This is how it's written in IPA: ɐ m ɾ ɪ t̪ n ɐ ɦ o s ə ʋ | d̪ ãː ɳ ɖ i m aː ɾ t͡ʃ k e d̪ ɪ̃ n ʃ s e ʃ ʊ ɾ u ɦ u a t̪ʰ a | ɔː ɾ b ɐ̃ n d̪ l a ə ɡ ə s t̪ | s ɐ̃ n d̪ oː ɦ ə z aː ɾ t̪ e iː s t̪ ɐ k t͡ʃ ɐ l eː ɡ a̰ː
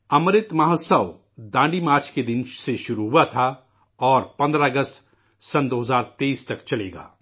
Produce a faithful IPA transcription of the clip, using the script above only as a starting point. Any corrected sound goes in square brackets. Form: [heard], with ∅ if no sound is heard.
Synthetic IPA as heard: ɐ m ɾ ɪ t̪ [m] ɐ ɦ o s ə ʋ | d̪ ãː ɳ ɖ i m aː ɾ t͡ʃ k e d̪ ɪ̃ n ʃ s e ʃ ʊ ɾ u ɦ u a t̪ʰ a | ɔː ɾ [p] ɐ̃ n d̪ [ɾ] a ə ɡ ə s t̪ | s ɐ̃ n d̪ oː ɦ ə z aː ɾ t̪ e iː s t̪ ɐ k t͡ʃ ɐ l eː ɡ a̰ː